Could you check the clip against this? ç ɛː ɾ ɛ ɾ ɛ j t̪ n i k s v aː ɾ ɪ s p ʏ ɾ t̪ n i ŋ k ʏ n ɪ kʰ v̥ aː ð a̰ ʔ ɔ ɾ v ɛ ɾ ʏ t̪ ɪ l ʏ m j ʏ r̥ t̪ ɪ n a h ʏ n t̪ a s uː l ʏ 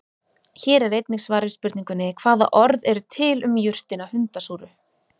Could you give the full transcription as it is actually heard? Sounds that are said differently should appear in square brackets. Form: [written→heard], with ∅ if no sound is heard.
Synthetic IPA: ç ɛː ɾ ɛ ɾ [ɛ→e] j t̪ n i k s v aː ɾ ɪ s p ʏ ɾ t̪ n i ŋ k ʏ n ɪ kʰ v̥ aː ð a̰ ʔ ɔ ɾ [v→ð] ɛ ɾ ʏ [t̪→t̪ʰ] ɪ l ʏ m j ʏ r̥ t̪ ɪ n a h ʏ n t̪ a s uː [l→ɾ] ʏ